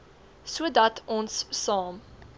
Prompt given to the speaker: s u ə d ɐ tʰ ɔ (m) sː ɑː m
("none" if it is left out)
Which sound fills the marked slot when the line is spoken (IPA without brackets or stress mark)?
n